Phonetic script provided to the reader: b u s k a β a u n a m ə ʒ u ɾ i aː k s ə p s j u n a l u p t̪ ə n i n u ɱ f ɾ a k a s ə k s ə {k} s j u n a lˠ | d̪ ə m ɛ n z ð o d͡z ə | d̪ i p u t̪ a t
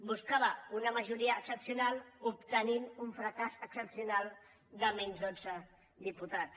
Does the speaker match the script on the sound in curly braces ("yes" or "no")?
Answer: no